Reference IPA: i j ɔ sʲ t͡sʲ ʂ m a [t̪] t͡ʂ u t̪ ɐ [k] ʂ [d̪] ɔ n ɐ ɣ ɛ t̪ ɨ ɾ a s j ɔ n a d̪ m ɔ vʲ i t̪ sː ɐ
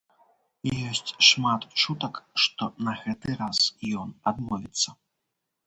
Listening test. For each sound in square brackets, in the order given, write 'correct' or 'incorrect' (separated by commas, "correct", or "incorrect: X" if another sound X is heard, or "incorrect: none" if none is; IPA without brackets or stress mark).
correct, correct, incorrect: t̪